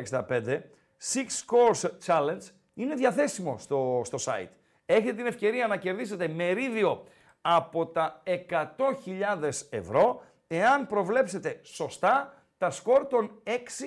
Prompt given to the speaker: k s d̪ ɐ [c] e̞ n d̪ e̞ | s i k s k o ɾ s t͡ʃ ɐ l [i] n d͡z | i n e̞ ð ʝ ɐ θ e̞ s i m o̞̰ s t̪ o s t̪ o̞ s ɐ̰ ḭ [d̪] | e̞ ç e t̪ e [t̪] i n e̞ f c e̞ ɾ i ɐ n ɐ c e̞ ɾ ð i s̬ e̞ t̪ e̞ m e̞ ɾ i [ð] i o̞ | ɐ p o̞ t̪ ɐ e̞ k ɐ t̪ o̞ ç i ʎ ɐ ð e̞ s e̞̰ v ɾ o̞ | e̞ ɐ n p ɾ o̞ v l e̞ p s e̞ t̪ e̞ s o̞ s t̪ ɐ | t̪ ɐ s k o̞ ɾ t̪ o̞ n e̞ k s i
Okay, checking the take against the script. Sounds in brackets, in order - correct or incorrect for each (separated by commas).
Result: incorrect, incorrect, incorrect, correct, correct